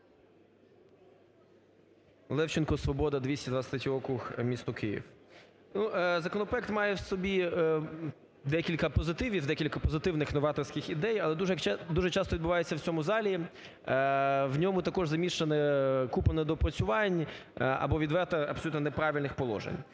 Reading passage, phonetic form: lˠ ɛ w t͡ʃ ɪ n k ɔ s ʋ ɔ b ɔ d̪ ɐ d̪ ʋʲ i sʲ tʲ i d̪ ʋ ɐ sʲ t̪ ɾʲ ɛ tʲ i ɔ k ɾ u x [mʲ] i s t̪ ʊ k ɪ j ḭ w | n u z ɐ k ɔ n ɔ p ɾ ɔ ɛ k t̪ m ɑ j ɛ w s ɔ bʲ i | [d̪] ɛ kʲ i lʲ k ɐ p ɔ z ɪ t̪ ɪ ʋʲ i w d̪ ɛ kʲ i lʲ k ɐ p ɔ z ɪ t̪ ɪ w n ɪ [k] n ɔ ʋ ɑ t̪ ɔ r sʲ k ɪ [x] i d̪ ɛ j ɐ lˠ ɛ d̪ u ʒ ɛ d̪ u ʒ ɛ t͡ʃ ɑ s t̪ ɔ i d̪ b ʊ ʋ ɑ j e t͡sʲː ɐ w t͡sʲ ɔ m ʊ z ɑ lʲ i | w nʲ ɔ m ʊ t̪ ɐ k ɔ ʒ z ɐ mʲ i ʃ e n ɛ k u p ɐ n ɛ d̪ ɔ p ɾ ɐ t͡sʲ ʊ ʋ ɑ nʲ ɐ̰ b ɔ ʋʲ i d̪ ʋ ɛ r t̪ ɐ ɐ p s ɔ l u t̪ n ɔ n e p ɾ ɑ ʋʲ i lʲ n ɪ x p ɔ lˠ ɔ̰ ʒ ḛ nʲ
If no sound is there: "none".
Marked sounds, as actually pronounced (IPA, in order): mʲ, d̪, x, x

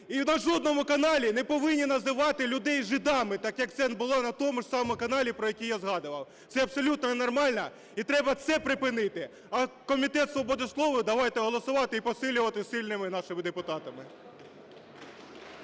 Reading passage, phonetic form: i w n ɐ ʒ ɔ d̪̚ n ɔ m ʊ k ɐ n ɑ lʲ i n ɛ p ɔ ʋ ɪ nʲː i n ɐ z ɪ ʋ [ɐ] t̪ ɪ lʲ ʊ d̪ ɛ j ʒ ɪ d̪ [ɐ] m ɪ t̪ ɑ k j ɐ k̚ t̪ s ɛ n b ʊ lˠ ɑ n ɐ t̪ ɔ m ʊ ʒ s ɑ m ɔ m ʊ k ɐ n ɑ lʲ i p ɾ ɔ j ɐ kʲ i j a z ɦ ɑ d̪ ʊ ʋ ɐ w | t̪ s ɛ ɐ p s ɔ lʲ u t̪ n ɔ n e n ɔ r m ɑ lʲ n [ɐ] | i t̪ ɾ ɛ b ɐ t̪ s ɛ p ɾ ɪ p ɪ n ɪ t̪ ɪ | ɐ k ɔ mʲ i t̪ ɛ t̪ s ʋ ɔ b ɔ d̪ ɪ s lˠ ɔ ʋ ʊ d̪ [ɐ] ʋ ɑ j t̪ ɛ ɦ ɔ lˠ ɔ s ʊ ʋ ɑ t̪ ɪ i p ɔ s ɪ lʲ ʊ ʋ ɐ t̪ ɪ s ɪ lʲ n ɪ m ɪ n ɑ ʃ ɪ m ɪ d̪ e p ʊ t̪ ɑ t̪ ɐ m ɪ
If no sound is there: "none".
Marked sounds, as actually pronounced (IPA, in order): ɑ, ɑ, ɐ, ɐ

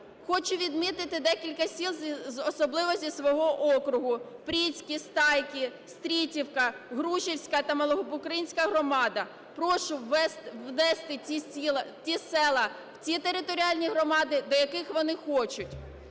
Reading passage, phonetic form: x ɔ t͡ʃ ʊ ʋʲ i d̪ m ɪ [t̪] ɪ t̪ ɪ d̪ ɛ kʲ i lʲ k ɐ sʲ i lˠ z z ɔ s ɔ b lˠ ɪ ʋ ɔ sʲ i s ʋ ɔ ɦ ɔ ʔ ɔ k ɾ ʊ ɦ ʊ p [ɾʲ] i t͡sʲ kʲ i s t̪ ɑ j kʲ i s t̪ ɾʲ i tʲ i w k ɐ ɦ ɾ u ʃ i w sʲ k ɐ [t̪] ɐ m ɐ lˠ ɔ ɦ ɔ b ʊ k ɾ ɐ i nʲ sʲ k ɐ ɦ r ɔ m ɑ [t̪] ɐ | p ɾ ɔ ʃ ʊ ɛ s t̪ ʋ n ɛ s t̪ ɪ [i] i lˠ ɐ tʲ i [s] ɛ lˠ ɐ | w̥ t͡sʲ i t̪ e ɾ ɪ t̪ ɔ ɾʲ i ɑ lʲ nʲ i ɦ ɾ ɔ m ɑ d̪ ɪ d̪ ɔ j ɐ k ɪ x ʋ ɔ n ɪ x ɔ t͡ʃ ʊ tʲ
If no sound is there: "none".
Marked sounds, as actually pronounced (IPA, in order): t̪, ɾʲ, t̪, d̪, i, s

